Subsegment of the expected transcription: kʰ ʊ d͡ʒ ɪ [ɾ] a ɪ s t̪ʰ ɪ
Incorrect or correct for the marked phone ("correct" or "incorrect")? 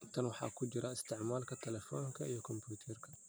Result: correct